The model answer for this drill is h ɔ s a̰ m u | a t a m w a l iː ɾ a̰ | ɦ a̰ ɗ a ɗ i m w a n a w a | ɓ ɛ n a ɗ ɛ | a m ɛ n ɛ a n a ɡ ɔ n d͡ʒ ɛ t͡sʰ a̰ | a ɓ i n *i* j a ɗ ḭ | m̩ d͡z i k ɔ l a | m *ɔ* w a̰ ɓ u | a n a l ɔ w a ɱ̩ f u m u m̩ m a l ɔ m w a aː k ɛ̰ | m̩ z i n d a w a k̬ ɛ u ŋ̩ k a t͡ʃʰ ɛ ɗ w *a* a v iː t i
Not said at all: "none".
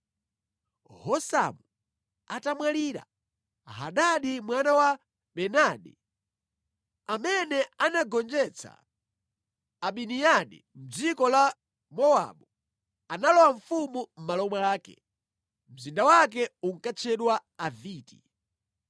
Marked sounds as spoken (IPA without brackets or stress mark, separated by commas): i, ɔ, a